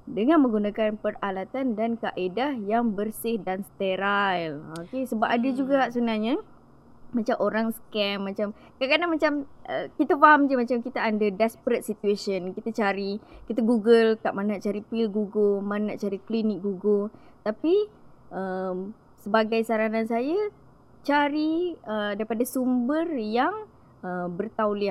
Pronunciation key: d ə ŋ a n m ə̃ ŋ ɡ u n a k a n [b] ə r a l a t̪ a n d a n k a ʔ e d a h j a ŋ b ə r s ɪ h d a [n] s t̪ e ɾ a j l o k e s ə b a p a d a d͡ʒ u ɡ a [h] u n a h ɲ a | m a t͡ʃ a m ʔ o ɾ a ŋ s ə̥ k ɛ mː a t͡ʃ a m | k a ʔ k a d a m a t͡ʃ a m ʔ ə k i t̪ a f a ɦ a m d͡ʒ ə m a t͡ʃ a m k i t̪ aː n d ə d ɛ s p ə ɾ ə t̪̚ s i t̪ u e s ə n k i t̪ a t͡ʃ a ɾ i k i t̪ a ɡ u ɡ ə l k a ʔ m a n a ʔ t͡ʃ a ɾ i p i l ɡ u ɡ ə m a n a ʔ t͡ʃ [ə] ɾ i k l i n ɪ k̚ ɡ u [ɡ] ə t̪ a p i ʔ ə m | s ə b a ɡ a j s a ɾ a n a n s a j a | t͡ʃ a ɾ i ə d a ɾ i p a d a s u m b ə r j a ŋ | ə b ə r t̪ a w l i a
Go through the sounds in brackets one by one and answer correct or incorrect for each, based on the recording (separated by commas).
incorrect, correct, incorrect, incorrect, correct